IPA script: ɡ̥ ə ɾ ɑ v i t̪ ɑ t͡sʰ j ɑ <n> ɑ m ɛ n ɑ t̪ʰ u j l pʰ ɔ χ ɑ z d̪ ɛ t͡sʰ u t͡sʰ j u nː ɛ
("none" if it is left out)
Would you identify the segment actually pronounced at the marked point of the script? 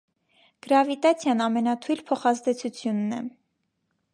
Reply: n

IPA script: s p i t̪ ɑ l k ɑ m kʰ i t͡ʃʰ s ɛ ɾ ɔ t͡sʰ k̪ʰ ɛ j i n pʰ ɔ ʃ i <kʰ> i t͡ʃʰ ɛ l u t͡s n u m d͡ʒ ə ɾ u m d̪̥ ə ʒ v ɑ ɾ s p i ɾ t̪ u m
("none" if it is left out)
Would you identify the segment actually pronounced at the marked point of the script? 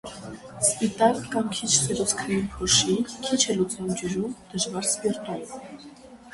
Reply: kʰ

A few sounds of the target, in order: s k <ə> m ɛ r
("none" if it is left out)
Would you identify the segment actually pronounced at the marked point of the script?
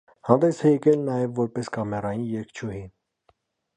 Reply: ɑ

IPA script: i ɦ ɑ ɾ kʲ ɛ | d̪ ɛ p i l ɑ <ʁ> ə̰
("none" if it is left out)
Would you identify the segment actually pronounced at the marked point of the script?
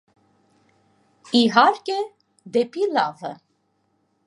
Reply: v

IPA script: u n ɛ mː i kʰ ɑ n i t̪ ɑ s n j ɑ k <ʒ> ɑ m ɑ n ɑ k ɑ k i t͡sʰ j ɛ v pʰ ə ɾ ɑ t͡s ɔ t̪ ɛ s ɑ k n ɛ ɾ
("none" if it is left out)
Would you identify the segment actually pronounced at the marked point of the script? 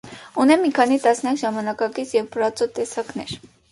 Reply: ʒ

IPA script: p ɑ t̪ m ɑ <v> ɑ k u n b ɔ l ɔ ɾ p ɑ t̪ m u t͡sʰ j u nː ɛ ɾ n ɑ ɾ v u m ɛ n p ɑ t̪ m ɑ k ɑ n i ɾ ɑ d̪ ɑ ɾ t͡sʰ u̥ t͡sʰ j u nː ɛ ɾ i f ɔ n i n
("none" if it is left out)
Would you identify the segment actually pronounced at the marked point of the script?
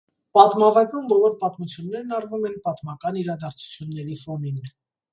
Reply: v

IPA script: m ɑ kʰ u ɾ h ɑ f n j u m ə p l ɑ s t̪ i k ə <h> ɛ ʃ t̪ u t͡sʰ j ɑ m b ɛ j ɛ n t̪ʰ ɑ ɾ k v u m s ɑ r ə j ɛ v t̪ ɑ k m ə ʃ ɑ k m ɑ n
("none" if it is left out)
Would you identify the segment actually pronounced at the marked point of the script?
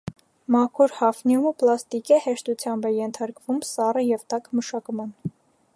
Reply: h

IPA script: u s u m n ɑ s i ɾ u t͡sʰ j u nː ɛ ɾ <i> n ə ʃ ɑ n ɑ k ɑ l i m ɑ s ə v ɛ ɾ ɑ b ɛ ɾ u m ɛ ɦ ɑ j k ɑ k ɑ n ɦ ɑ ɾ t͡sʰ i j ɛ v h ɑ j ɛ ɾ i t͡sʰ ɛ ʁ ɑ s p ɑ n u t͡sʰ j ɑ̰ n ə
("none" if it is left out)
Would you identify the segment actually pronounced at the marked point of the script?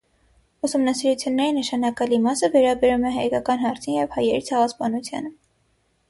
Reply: i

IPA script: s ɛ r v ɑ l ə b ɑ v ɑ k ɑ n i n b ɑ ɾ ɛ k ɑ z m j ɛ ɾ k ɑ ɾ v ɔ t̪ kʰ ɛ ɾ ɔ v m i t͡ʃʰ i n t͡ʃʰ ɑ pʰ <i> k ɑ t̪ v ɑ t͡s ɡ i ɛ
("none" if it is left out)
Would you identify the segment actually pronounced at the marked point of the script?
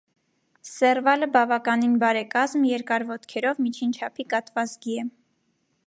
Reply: i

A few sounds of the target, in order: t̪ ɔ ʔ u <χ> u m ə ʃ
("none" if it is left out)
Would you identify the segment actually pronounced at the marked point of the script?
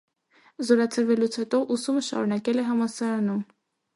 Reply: s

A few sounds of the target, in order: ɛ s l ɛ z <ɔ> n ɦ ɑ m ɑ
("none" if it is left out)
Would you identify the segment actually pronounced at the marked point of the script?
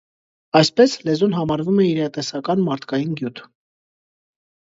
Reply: u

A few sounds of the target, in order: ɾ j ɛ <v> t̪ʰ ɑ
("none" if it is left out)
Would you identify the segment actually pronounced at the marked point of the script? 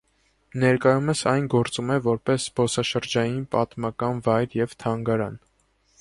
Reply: v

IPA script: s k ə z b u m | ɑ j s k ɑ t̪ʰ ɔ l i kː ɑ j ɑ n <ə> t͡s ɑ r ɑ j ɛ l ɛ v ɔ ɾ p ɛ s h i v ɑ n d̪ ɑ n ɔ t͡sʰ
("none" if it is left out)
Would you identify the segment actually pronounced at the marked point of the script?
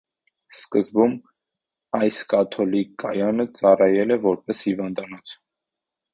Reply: ə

